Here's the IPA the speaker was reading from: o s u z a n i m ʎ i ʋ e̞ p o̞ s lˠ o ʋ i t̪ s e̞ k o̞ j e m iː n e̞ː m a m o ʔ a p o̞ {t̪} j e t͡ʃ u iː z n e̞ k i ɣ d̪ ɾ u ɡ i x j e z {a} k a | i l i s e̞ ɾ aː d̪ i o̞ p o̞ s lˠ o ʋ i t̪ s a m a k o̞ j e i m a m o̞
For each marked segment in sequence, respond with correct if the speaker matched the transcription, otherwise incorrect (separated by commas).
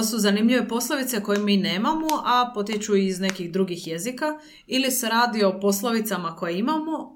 correct, incorrect